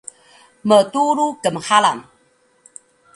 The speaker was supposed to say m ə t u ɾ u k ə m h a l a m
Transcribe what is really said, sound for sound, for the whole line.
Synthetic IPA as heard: m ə t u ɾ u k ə m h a l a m